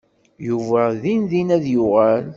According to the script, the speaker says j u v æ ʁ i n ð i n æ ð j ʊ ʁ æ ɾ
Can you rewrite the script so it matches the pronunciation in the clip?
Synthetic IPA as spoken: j u v æ ð i n ð i n æ ð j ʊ ʁ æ l